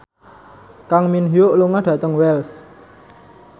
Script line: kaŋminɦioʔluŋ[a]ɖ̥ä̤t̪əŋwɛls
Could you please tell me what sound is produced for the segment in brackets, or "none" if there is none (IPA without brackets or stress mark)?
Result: a